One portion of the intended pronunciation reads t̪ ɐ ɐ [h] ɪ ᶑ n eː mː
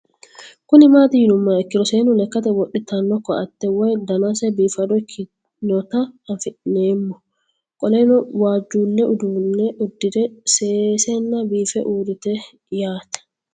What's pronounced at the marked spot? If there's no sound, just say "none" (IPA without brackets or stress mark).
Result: f